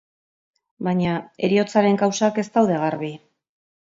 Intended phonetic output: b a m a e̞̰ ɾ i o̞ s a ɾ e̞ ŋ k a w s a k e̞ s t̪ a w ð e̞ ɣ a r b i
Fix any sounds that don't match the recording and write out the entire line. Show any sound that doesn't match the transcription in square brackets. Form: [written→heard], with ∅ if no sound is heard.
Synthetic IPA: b a [m→ɲ] a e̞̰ ɾ i o̞ [s→t͡s] a ɾ e̞ ŋ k a w s a k e̞ s t̪ a w ð e̞ ɣ a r [b→β] i